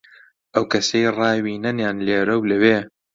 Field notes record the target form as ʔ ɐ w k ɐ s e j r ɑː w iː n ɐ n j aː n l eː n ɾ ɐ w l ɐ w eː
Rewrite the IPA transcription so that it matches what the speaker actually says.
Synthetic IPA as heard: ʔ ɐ w k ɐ s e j r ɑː w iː n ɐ n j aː n l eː ɾ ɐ w l ɐ w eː